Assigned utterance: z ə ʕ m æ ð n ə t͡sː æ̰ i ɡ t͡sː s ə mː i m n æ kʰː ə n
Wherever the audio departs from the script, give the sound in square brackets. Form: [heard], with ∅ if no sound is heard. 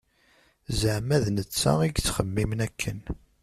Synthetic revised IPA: z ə ʕ m æ ð n ə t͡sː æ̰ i ɡ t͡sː [χ] ə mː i m n æ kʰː ə n